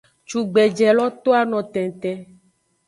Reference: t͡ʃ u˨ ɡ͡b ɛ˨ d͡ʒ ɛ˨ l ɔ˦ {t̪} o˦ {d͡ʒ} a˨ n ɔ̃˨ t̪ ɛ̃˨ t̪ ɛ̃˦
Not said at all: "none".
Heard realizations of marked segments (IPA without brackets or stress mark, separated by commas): t̪, none